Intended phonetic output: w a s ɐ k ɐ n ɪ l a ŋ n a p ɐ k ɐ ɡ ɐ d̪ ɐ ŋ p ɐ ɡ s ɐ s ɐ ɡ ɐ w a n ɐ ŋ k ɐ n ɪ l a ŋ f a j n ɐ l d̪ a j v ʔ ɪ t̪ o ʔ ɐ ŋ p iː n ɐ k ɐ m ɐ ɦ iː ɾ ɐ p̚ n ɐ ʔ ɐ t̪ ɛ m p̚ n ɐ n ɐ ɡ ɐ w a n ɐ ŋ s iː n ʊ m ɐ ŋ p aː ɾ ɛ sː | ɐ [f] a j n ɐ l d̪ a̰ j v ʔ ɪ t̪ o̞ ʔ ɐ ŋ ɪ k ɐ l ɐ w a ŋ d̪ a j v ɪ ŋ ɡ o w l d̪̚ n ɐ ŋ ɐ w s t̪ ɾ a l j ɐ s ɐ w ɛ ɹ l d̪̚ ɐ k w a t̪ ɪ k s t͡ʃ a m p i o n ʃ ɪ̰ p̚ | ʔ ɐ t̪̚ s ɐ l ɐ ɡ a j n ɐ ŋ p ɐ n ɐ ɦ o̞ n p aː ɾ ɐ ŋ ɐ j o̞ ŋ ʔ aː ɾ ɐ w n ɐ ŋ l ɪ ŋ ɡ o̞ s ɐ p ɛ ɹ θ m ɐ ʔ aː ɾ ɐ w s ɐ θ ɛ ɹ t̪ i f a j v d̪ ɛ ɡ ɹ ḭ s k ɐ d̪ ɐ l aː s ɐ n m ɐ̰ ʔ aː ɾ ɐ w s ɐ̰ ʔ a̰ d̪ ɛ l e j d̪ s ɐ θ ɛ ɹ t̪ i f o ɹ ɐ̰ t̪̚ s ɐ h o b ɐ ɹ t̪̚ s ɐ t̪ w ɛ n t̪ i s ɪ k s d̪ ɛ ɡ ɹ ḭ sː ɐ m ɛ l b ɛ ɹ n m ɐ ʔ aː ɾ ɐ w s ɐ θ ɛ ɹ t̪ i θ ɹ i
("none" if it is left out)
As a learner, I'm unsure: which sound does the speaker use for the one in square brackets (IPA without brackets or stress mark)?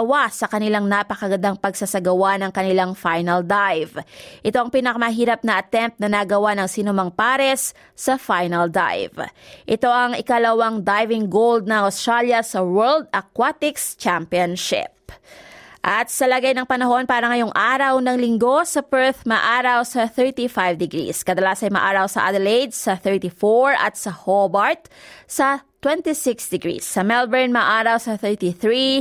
f